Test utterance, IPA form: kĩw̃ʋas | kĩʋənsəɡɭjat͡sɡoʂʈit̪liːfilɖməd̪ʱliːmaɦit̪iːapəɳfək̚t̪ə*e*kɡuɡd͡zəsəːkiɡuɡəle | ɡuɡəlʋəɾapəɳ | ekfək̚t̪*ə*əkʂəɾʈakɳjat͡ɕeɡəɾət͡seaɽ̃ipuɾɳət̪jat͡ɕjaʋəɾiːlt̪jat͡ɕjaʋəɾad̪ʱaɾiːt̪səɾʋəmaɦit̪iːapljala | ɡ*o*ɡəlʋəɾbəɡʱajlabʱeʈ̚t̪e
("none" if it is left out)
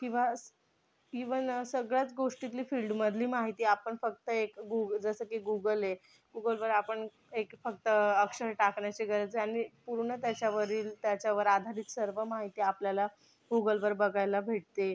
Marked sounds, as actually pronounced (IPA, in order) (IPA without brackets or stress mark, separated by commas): e, ə, u